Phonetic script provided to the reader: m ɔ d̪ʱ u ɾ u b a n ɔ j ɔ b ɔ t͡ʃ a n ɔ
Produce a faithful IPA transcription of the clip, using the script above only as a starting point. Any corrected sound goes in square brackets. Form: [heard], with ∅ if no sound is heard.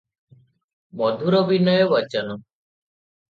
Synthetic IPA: m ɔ d̪ʱ u ɾ [ɔ] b [i] n ɔ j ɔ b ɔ t͡ʃ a n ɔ

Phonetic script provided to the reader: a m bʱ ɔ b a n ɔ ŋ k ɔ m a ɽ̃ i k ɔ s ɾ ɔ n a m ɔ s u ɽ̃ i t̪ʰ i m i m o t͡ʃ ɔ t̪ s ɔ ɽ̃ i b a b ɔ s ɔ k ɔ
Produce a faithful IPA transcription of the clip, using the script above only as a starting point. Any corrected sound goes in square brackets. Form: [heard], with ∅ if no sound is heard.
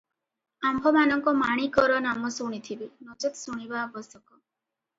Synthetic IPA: a m bʱ ɔ [m] a n ɔ ŋ k ɔ m a ɽ̃ i k ɔ [∅] ɾ ɔ n a m ɔ s u ɽ̃ i t̪ʰ i [b] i [n] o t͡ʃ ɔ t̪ s [u] ɽ̃ i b a b ɔ s ɔ k ɔ

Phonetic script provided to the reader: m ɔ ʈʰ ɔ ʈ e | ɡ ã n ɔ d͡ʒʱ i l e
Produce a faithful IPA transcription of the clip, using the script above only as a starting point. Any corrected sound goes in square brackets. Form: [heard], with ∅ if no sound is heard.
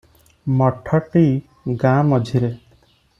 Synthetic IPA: m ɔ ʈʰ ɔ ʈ [i] | ɡ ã [m] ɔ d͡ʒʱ i [ɾ] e

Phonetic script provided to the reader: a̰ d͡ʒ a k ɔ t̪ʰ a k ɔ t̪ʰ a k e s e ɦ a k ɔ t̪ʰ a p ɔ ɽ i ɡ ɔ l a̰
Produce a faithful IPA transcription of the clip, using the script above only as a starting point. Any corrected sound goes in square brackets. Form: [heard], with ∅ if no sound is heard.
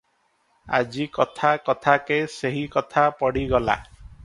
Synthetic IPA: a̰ d͡ʒ [i] k ɔ t̪ʰ a k ɔ t̪ʰ a k e s e ɦ [i] k ɔ t̪ʰ a p ɔ ɽ i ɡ ɔ l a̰

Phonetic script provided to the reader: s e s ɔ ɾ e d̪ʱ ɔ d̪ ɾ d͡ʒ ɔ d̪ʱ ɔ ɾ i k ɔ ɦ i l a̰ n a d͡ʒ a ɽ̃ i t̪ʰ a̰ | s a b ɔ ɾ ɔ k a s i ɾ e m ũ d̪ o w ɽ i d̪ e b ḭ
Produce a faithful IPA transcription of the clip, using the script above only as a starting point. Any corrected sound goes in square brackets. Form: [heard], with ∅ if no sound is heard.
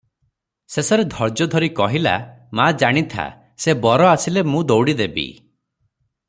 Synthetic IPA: s e s ɔ ɾ e d̪ʱ ɔ [∅] ɾ d͡ʒ ɔ d̪ʱ ɔ ɾ i k ɔ ɦ i l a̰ [m] a d͡ʒ a ɽ̃ i t̪ʰ a̰ | s [e] b ɔ ɾ ɔ [∅] a s i [l] e m ũ d̪ o w ɽ i d̪ e b ḭ

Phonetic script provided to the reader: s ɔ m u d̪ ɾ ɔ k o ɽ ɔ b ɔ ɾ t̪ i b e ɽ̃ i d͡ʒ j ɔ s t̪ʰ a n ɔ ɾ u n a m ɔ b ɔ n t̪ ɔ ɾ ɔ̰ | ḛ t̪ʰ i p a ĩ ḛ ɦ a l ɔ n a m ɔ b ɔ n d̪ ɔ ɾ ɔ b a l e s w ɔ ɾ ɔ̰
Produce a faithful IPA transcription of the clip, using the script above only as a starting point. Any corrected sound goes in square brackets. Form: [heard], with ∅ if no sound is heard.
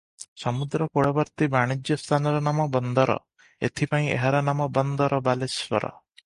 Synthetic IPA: s ɔ m u d̪ ɾ ɔ k o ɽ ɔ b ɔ ɾ t̪ i b [a] ɽ̃ i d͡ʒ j ɔ s t̪ʰ a n ɔ ɾ [ɔ] n a m ɔ b ɔ n [d̪] ɔ ɾ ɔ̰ | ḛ t̪ʰ i p a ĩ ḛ ɦ a [ɾ] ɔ n a m ɔ b ɔ n d̪ ɔ ɾ ɔ b a l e s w ɔ ɾ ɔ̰

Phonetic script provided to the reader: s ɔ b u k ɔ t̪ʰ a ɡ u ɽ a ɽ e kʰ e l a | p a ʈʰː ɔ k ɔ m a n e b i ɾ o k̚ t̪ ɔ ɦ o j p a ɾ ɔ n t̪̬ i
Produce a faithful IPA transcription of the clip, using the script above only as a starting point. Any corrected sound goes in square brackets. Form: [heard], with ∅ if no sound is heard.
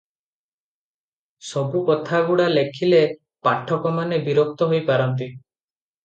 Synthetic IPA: s ɔ b u k ɔ t̪ʰ a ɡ u ɽ a [l] e kʰ [i] l [e] | p a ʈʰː ɔ k ɔ m a n e b i ɾ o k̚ t̪ ɔ ɦ o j p a ɾ ɔ n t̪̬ i

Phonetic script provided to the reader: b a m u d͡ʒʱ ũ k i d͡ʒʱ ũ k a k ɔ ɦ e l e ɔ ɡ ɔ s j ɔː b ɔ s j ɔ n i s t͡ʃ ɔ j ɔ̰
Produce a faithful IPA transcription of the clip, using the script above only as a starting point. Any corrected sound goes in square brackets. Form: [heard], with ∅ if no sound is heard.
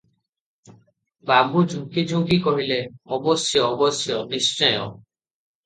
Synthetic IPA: b a [b] u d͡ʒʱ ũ k i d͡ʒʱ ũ k [i] k ɔ ɦ [i] l e ɔ [b] ɔ s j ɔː b ɔ s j ɔ n i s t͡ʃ ɔ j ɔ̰

